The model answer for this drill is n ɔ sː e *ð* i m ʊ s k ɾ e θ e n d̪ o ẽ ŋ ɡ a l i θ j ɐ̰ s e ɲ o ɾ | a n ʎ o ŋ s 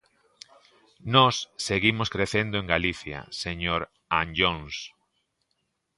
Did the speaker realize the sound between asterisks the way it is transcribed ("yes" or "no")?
no